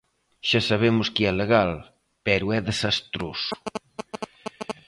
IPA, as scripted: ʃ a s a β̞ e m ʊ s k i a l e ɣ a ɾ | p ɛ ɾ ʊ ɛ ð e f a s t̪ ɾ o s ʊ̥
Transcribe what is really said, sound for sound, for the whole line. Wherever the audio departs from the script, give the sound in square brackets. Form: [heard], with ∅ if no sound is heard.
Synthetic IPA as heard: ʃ a s a β̞ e m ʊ s k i [ɛ] l e ɣ a [l] | p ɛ ɾ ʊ ɛ ð e [s] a s t̪ ɾ o s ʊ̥